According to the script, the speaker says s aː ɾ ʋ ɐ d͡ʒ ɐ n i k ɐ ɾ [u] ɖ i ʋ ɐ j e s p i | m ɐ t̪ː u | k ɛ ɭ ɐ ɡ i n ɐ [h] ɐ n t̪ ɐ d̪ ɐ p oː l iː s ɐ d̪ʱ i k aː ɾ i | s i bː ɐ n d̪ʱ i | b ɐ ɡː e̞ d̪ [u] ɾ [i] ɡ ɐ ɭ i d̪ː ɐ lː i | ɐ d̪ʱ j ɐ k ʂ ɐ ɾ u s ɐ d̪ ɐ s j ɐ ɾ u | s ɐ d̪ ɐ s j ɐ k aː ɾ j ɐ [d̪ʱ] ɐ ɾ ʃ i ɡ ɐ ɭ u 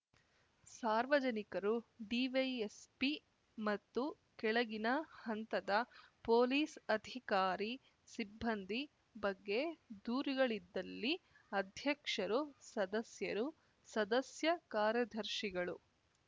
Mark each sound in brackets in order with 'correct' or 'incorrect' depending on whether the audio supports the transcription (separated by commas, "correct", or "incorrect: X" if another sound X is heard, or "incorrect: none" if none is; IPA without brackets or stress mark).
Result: correct, correct, incorrect: uː, correct, correct